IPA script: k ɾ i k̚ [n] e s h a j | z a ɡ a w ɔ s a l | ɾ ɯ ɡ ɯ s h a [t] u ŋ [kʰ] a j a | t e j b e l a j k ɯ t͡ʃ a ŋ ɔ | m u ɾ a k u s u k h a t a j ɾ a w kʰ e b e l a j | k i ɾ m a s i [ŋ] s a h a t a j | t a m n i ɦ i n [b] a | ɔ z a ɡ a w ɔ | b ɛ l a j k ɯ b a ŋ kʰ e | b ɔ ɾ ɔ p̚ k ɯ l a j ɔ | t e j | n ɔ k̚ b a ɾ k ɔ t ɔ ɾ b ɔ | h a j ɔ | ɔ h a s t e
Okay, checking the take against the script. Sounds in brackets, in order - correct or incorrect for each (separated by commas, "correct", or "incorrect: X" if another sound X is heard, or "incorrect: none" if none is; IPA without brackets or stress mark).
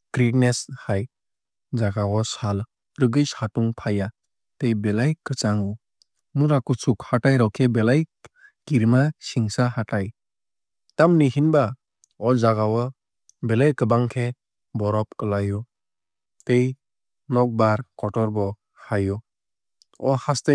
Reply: correct, correct, incorrect: pʰ, correct, correct